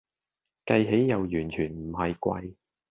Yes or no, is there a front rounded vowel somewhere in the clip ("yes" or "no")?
yes